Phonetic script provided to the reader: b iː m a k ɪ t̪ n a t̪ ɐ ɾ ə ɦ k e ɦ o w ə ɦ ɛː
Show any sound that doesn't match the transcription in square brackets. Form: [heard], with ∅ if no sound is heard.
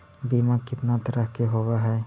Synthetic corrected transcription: b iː m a k ɪ t̪ n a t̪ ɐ ɾ ə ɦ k e ɦ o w [a] ɦ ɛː